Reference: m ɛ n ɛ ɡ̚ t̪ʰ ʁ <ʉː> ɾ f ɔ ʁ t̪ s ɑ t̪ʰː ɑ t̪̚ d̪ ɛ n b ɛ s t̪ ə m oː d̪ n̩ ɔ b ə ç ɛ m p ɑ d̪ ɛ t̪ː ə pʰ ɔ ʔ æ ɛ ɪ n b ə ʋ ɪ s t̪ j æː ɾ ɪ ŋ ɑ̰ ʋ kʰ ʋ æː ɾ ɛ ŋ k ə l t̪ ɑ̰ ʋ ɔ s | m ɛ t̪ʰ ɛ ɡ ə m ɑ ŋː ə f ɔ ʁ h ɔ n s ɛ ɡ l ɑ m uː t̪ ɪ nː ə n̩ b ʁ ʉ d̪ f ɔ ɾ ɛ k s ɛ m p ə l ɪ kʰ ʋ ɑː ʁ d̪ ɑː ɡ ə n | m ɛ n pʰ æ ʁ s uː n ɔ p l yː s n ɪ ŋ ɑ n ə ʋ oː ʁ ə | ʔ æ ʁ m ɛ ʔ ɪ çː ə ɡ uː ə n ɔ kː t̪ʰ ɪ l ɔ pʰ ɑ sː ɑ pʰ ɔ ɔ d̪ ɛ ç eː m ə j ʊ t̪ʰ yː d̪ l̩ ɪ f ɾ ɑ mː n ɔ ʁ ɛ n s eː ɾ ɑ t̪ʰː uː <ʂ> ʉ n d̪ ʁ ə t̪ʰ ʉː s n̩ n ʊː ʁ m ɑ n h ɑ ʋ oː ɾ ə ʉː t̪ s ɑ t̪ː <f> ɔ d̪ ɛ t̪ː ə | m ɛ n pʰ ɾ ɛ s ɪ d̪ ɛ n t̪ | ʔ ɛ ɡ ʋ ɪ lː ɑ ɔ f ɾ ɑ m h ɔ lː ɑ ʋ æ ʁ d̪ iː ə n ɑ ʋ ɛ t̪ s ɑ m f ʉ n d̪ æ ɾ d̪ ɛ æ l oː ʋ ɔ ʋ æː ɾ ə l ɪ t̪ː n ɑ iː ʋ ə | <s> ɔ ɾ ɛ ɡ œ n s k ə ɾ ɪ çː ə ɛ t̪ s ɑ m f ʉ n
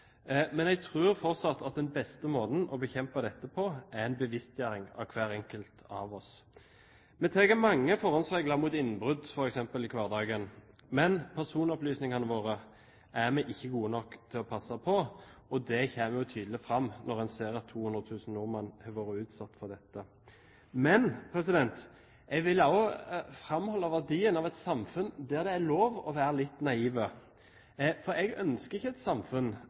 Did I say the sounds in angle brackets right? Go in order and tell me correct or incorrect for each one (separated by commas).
correct, incorrect, correct, incorrect